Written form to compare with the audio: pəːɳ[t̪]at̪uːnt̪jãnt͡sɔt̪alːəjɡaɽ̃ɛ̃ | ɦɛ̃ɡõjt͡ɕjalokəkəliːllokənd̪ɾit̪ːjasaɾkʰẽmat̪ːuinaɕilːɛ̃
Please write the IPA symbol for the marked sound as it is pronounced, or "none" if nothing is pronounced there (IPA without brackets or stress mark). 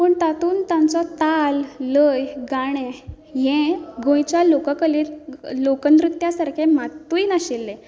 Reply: t̪